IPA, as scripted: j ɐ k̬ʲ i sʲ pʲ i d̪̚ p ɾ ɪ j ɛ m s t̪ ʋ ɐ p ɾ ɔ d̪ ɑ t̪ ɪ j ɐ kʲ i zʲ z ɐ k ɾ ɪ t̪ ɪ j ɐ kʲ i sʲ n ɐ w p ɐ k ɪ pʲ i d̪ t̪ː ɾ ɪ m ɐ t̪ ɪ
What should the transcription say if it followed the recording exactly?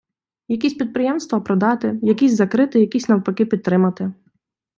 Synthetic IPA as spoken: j ɐ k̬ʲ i sʲ pʲ i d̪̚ p ɾ ɪ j ɛ m s t̪ ʋ ɐ p ɾ ɔ d̪ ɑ t̪ ɪ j ɐ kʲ i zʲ z ɐ k ɾ ɪ t̪ ɪ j ɐ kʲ i sʲ n ɐ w p ɐ k ɪ pʲ i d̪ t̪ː ɾ ɪ m ɐ t̪ ɪ